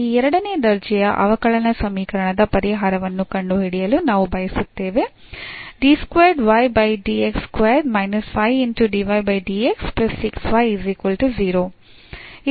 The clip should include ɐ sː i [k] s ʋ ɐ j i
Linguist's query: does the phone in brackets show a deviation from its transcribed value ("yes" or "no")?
no